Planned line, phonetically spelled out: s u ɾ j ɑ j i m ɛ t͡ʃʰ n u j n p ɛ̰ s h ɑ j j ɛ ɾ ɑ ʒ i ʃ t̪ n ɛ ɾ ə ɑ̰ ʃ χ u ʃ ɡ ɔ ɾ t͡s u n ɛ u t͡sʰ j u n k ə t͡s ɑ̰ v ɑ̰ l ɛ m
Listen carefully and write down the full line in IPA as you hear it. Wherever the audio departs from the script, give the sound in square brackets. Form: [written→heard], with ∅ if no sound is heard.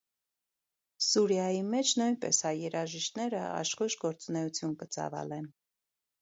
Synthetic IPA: s u ɾ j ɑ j i m ɛ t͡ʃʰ n u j n p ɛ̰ s h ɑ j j ɛ ɾ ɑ ʒ i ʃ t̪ n ɛ ɾ ə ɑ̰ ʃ χ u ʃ ɡ ɔ ɾ t͡s u n ɛ u t͡sʰ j u n k ə t͡s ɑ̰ v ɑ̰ l ɛ [m→n]